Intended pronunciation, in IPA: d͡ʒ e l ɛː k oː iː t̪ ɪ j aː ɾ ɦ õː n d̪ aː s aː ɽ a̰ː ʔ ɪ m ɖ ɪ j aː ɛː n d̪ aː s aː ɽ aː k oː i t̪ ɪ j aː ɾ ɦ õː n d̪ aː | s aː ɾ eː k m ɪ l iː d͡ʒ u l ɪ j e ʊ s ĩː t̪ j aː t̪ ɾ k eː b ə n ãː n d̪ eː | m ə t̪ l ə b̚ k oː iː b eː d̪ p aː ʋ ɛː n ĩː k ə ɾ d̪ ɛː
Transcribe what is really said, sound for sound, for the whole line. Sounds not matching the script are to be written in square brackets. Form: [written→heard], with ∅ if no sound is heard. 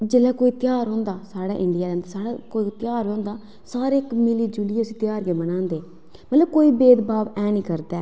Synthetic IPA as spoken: d͡ʒ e l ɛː k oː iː t̪ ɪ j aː ɾ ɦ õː n d̪ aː s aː ɽ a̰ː ʔ ɪ [m→ɳ] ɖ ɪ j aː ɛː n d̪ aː s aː ɽ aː k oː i t̪ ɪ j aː ɾ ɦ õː n d̪ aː | s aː ɾ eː k m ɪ l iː d͡ʒ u l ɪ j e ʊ s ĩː t̪ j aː [t̪→∅] ɾ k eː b ə n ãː n d̪ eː | m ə t̪ l ə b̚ k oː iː b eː d̪ [p→b] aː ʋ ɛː n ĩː k ə ɾ d̪ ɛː